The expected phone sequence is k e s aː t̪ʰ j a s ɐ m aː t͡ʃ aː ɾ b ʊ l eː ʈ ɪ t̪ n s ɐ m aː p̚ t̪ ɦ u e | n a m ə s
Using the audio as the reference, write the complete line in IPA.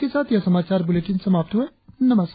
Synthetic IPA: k e s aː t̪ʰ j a s ɐ m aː t͡ʃ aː ɾ b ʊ l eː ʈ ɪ n s ɐ m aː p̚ t̪ ɦ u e | n ɐ m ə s